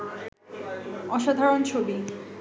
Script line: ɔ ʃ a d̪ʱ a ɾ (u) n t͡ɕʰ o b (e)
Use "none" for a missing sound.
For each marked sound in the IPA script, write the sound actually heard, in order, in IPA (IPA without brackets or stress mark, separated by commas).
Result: o, i